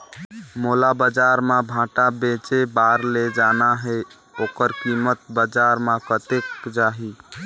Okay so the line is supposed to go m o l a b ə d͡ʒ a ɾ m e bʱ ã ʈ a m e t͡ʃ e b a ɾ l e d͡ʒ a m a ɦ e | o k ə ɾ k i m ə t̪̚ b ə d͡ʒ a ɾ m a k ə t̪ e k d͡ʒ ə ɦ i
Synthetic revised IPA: m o l a b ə d͡ʒ a ɾ m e bʱ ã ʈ a b e t͡ʃ e b a ɾ l e d͡ʒ a n a ɦ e | o k ə ɾ k i m ə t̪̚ b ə d͡ʒ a ɾ m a k ə t̪ e k d͡ʒ a ɦ i